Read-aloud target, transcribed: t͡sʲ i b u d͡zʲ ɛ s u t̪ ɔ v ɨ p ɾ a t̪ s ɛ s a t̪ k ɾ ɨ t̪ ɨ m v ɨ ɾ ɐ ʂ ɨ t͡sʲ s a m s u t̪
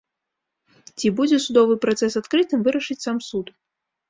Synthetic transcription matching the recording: t͡sʲ i b u d͡zʲ ɛ s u d̪ ɔ v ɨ p ɾ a t̪ s ɛ s a t̪ k ɾ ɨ t̪ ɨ m v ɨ ɾ ɐ ʂ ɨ t͡sʲ s a m s u t̪

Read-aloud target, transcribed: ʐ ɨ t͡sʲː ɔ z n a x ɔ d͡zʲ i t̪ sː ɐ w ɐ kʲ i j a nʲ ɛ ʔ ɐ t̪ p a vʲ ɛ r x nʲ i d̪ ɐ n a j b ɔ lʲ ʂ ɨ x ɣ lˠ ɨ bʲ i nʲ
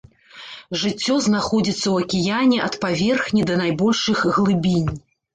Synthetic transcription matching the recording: ʐ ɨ t͡sʲː ɔ z n a x ɔ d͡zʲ i t̪ sː ɐ w ɐ kʲ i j a nʲ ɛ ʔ ɐ t̪ p a vʲ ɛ r x nʲ i d̪ ɐ n a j b ɔ lʲ ʂ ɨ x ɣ lˠ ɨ bʲ i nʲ

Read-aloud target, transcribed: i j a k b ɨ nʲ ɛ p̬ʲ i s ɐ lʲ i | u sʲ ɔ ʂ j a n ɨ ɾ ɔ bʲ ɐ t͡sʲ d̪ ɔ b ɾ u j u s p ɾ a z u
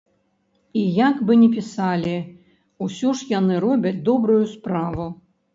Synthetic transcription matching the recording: i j a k b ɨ nʲ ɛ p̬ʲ i s a lʲ i | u sʲ ɔ ʂ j a n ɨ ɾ ɔ bʲ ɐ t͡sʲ d̪ ɔ b ɾ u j u s p ɾ a v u

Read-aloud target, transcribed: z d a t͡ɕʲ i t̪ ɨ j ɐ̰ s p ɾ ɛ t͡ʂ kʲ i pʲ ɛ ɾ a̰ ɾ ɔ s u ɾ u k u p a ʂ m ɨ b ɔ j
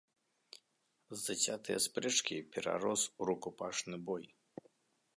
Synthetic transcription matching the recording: z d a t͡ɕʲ a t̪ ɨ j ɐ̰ s p ɾ ɛ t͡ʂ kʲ i pʲ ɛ ɾ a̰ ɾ ɔ s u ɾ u k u p a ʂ n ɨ b ɔ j

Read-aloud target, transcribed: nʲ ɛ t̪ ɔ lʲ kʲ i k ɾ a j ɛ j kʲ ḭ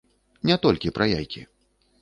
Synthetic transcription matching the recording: nʲ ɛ t̪ ɔ lʲ kʲ i p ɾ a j a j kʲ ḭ

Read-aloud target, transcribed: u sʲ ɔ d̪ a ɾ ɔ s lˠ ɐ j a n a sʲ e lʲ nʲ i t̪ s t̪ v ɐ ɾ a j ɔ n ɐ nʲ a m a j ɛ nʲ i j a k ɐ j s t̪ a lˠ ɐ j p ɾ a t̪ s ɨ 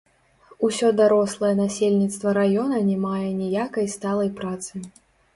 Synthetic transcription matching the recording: u sʲ ɔ d̪ a ɾ ɔ s lˠ ɐ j ɛ n a sʲ e lʲ nʲ i t̪ s t̪ v ɐ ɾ a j ɔ n ɐ nʲ ɛ m a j ɛ nʲ i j a k ɐ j s t̪ a lˠ ɐ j p ɾ a t̪ s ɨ

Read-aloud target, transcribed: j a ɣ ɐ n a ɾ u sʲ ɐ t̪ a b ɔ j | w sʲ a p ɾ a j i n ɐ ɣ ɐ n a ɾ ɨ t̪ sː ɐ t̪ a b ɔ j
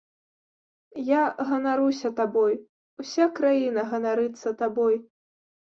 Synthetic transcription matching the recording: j a ɣ ɐ n a ɾ u sʲ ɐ t̪ a b ɔ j | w sʲ a k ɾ a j i n ɐ ɣ ɐ n a ɾ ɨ t̪ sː ɐ t̪ a b ɔ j

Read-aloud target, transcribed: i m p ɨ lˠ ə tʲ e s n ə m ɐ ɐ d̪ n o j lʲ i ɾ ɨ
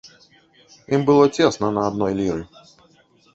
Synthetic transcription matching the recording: i m b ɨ lˠ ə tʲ e s n ə n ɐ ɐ d̪ n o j lʲ i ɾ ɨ

